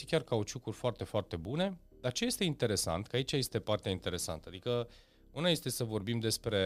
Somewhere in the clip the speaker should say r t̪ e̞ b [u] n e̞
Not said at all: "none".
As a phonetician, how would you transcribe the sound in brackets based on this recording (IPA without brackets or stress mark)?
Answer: u